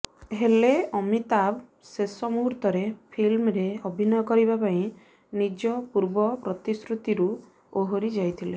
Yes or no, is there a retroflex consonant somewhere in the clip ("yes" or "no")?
no